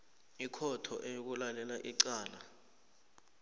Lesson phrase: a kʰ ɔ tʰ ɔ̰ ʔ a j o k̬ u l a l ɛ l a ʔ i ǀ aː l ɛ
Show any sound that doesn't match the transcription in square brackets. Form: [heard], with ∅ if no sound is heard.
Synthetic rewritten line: [i] kʰ ɔ tʰ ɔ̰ ʔ [e] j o k̬ u l a l ɛ l a ʔ i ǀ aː l [a]